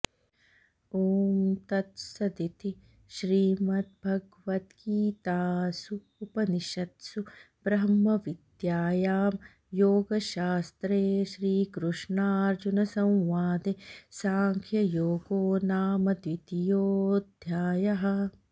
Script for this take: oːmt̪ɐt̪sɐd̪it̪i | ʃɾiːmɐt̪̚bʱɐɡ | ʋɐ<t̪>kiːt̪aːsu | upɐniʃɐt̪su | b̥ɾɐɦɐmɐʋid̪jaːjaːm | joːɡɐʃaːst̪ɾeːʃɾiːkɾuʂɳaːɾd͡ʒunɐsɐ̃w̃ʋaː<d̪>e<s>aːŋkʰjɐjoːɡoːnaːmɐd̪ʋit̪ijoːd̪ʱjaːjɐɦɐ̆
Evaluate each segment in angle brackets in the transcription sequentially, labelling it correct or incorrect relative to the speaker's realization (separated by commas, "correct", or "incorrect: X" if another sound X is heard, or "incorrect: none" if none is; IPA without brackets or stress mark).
correct, correct, correct